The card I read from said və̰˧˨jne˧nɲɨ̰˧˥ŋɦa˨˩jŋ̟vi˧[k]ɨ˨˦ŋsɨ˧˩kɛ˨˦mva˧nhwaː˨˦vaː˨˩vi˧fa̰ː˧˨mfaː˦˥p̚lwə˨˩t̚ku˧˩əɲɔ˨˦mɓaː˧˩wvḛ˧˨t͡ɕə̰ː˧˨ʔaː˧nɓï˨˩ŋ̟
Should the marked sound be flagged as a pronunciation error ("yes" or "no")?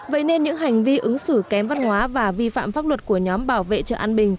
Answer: yes